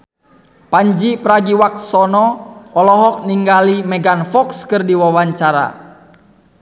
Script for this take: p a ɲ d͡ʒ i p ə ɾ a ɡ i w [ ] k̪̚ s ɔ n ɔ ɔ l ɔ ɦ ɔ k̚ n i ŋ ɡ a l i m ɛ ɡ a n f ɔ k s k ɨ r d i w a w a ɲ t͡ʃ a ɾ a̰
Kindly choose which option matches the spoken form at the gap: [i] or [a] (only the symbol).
a